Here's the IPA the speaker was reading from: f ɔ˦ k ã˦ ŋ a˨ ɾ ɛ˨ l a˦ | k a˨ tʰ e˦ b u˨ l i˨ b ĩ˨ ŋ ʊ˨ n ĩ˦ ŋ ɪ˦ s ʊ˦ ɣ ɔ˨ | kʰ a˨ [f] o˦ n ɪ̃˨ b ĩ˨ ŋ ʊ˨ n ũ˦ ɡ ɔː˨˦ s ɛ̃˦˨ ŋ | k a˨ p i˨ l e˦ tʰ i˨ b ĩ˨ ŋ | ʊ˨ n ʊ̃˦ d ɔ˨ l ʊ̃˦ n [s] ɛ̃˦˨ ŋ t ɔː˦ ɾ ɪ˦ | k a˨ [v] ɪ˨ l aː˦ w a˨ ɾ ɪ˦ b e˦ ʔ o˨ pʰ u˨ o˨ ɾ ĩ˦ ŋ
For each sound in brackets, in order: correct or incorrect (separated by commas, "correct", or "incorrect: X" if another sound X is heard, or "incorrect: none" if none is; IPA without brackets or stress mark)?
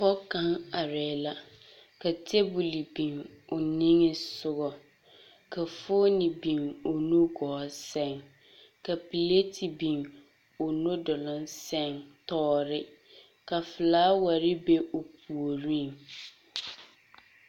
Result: correct, correct, incorrect: f